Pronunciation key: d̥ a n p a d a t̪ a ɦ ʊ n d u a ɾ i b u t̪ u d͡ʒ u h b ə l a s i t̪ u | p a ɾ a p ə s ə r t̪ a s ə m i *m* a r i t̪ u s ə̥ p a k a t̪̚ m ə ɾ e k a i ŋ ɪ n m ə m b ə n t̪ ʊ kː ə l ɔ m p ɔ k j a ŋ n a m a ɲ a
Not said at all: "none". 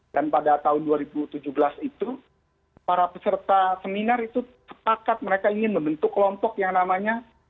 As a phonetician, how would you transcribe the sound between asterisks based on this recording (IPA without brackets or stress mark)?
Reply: n